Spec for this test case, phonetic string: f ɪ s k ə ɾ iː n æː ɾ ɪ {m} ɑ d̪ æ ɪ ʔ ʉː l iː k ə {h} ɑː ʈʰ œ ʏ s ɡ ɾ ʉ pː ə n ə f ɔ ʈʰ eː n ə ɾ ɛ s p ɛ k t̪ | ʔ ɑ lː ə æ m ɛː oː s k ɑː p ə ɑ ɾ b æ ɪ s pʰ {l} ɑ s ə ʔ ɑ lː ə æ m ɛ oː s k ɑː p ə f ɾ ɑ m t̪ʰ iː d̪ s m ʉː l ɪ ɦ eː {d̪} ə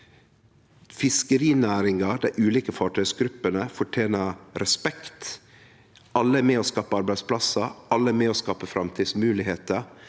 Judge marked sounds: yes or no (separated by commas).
no, no, yes, no